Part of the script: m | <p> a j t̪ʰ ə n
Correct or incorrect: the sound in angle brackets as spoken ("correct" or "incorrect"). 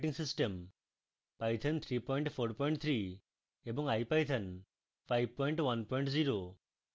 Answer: correct